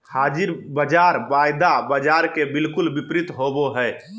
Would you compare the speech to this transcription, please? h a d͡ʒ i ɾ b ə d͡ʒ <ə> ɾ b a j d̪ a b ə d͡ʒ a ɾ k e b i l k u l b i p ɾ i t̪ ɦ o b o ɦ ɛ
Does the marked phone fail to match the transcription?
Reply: yes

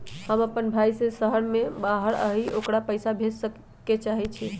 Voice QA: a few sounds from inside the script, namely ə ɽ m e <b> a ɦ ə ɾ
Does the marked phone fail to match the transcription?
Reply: no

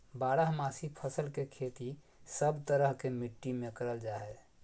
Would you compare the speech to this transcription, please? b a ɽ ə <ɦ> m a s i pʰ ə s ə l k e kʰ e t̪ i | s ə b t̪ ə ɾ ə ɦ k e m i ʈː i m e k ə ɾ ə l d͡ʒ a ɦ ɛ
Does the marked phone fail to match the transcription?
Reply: no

